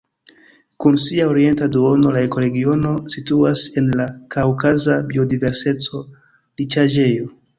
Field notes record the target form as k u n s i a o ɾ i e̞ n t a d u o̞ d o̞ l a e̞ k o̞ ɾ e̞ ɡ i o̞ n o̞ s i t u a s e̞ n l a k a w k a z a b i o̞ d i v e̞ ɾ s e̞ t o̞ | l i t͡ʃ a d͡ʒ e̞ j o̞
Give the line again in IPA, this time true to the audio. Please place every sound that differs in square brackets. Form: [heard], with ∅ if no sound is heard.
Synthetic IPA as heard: k u n s i a o ɾ i e̞ n t a d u o̞ [n] o̞ l a e̞ k o̞ ɾ e̞ ɡ i o̞ n o̞ s i t u a s e̞ n l a k a w k a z a b i o̞ d i v e̞ ɾ s e̞ [t͡s] o̞ | l i t͡ʃ a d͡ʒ e̞ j o̞